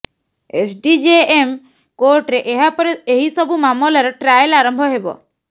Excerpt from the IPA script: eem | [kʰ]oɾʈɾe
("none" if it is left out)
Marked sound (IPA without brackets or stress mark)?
k